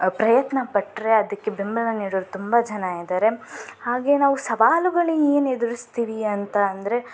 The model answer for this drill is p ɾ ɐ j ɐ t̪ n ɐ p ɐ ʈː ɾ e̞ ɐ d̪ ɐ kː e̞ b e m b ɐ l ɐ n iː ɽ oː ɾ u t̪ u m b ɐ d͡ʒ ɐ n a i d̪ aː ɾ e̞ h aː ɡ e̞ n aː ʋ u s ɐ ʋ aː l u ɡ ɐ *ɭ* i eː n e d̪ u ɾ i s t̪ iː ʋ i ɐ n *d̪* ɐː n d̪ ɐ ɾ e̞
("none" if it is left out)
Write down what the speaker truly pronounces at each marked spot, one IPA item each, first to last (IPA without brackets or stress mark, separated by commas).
ɭ, t̪